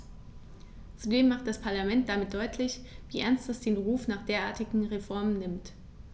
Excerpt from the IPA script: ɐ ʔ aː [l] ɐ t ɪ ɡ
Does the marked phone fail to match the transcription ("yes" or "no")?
yes